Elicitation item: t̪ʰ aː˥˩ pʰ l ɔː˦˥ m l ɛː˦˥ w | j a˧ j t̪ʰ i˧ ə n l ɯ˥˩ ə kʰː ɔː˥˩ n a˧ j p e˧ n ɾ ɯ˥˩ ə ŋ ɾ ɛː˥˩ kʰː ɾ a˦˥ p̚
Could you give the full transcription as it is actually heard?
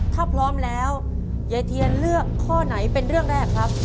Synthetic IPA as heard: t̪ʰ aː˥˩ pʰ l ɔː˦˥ m l ɛː˦˥ w | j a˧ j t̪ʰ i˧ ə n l ɯ˥˩ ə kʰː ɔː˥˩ n a˩˦ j p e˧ n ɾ ɯ˥˩ ə ŋ ɾ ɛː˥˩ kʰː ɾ a˦˥ p̚